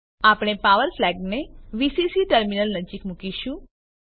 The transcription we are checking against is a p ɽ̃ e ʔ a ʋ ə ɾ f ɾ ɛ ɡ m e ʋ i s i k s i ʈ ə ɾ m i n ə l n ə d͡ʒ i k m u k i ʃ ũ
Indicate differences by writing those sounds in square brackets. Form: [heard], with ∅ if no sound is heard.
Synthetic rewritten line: a p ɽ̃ e [p] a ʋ ə ɾ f [l] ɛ ɡ [n] e ʋ i s i [∅] s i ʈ ə ɾ m i n ə l n ə d͡ʒ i k m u k i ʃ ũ